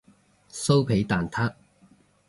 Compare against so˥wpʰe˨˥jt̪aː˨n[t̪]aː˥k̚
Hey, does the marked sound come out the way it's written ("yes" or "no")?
no